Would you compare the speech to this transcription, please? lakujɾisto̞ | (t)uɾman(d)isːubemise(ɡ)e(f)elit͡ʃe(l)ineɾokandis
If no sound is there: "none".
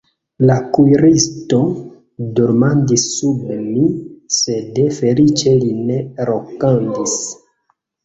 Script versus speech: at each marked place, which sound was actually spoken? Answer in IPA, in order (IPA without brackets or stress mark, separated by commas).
d, d, d, f, l